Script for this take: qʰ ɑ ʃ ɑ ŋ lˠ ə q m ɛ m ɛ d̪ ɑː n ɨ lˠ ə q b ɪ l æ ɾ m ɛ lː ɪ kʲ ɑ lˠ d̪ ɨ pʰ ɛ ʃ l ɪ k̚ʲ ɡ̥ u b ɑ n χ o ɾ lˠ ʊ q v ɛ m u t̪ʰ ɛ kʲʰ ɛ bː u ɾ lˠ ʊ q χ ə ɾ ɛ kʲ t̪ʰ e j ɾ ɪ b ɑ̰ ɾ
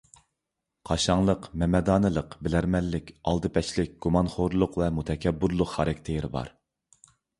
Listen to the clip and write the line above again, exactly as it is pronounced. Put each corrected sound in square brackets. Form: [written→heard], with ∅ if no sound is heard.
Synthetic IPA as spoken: qʰ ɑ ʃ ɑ ŋ lˠ ə q m ɛ m ɛ d̪ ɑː n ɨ lˠ ə q b ɪ l æ ɾ m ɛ lː ɪ kʲ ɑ lˠ d̪ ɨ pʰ ɛ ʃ l ɪ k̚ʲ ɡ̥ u [b→m] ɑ n χ o ɾ lˠ ʊ q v ɛ m u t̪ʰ ɛ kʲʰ ɛ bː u ɾ lˠ ʊ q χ [ə→ɑ] ɾ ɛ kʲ t̪ʰ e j ɾ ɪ b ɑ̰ ɾ

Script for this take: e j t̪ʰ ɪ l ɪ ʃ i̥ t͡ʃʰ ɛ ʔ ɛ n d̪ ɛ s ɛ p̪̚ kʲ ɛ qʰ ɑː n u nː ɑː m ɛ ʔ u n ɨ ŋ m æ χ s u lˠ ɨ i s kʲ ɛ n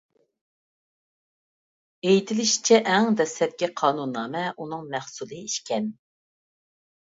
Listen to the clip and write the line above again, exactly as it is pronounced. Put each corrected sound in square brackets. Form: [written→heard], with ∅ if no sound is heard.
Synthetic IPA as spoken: e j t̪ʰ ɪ l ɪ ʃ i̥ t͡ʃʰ ɛ ʔ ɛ [n→ŋ] d̪ ɛ s ɛ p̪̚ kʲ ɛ qʰ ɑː n u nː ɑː m ɛ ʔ u n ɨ ŋ m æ χ s u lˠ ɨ i [s→ʃ] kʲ ɛ n

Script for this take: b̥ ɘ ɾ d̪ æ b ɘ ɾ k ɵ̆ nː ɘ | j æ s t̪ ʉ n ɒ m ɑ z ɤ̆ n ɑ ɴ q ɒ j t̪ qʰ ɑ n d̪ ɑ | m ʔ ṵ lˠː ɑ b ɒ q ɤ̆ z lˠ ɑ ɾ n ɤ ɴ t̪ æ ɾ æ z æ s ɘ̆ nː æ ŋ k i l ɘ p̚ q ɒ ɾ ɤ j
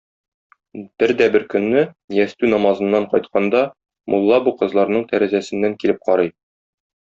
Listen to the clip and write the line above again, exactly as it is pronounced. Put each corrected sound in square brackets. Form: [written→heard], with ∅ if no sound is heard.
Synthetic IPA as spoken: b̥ ɘ ɾ d̪ æ b ɘ ɾ k ɵ̆ nː ɘ | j æ s t̪ ʉ n ɒ m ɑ z ɤ̆ [n→nː] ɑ ɴ q ɒ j t̪ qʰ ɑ n d̪ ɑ | m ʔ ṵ lˠː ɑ b [ɒ→u] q ɤ̆ z lˠ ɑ ɾ n ɤ ɴ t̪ æ ɾ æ z æ s ɘ̆ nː æ ŋ k i l ɘ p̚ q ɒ ɾ ɤ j

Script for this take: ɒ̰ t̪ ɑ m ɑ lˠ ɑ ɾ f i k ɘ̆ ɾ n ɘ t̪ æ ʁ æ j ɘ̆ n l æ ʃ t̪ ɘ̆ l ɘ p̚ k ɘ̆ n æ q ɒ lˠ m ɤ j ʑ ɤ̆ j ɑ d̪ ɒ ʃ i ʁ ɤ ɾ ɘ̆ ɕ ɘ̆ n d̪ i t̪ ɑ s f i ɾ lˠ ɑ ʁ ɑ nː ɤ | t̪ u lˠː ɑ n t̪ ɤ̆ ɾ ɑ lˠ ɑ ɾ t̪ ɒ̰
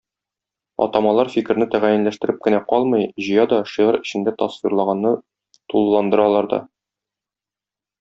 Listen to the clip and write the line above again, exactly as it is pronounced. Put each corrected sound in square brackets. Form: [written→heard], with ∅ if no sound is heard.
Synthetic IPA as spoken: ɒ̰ t̪ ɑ m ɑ lˠ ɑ ɾ f i k ɘ̆ ɾ n ɘ t̪ æ ʁ æ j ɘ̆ n l æ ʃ t̪ ɘ̆ [l→ɾ] ɘ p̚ k ɘ̆ n æ q ɒ lˠ m ɤ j ʑ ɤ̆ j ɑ d̪ ɒ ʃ i ʁ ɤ ɾ ɘ̆ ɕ ɘ̆ n d̪ [i→æ] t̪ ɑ s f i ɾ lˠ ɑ ʁ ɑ nː ɤ | t̪ u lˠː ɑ n [t̪→d̪] ɤ̆ ɾ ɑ lˠ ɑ ɾ [t̪→d̪] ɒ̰

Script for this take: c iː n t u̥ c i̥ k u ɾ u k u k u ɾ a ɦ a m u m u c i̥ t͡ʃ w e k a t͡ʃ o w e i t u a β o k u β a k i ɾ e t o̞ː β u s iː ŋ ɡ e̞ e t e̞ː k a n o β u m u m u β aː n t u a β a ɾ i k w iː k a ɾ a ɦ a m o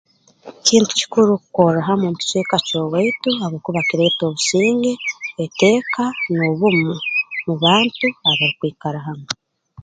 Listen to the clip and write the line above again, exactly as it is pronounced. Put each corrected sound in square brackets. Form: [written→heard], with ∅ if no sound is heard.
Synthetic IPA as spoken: c iː n t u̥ c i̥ k u ɾ u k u k [u→o] ɾ a ɦ a m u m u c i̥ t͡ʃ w e k a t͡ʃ o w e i t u a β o k u β a k i ɾ e t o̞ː β u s iː ŋ ɡ e̞ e t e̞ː k a n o β u m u m u β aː n t u a β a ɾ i k w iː k a ɾ a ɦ a m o

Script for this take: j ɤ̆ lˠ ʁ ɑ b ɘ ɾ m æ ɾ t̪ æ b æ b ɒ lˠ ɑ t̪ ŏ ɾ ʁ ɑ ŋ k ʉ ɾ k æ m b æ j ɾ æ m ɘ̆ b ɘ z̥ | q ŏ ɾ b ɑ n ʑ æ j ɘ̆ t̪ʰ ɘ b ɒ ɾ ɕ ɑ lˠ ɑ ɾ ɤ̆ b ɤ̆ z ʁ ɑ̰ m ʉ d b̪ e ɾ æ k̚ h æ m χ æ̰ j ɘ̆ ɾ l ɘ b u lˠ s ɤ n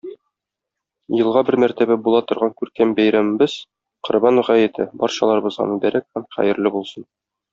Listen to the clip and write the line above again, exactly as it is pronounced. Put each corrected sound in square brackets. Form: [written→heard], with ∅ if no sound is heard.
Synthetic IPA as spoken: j ɤ̆ lˠ ʁ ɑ b ɘ ɾ m æ ɾ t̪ æ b æ b [ɒ→u] lˠ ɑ t̪ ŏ ɾ ʁ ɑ ŋ k ʉ ɾ k æ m b æ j ɾ æ m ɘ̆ b ɘ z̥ | q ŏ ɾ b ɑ n [ʑ→ʁ] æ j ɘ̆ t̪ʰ ɘ b ɒ ɾ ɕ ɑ lˠ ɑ ɾ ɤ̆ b ɤ̆ z ʁ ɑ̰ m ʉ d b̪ [e→æ] ɾ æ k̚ h æ m χ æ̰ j ɘ̆ ɾ l ɘ b u lˠ s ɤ n

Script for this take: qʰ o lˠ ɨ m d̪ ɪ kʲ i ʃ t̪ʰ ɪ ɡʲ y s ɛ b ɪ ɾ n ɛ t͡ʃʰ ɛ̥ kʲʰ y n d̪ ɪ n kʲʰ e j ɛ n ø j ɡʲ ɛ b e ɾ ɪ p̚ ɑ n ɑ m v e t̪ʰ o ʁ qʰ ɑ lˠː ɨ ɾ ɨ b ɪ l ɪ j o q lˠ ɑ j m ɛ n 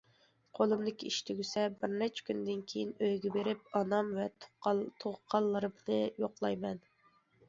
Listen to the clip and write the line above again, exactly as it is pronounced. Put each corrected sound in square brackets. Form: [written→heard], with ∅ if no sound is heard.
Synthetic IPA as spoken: qʰ o lˠ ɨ m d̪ ɪ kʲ i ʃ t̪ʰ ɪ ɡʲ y s ɛ b ɪ ɾ n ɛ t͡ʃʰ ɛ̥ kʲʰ y n d̪ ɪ n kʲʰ e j [ɛ→i] n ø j ɡʲ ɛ b e ɾ ɪ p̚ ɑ n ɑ m v [e→ɛ] t̪ʰ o ʁ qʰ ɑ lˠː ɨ ɾ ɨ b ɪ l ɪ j o q lˠ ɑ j m ɛ n

